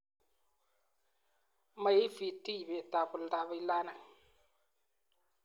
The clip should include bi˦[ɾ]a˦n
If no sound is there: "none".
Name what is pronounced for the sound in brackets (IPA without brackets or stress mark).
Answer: l